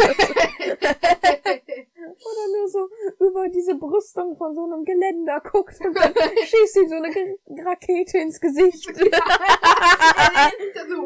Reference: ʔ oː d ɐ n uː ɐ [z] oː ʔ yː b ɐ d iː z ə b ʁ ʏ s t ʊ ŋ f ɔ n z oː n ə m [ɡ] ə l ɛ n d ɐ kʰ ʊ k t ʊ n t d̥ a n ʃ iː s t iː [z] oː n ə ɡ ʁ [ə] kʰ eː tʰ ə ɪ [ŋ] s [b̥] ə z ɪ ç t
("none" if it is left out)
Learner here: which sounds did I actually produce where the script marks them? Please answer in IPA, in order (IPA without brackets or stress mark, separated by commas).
z, ɡ, z, a, n, ɡ̥